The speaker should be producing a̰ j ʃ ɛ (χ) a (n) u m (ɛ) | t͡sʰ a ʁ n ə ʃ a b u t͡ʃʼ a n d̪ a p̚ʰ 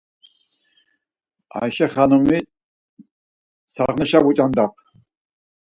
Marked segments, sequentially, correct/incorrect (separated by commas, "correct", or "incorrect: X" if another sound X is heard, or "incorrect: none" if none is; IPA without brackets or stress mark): correct, correct, incorrect: i